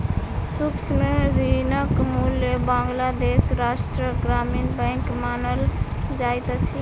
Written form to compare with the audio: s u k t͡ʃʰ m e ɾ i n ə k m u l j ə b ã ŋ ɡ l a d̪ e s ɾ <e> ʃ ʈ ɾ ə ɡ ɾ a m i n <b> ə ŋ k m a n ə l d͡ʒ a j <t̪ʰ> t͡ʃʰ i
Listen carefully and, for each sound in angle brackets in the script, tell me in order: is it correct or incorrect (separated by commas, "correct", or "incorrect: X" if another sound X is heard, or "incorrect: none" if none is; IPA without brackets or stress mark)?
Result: incorrect: a, correct, incorrect: t̪